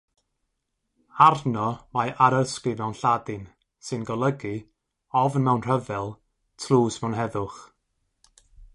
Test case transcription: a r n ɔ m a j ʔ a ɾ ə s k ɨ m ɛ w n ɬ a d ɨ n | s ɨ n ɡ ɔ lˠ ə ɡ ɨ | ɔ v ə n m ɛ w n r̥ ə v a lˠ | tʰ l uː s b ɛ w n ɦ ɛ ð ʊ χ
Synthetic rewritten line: a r n ɔ m a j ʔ a ɾ ə s k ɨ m ɛ w n ɬ a d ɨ n | s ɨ n ɡ ɔ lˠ ə ɡ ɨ | ɔ v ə n m ɛ w n r̥ ə v ɛ lˠ | tʰ l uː s m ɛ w n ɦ ɛ ð ʊ χ